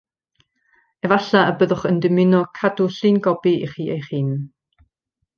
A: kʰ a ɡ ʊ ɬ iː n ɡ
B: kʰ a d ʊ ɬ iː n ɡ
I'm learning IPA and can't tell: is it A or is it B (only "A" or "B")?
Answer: B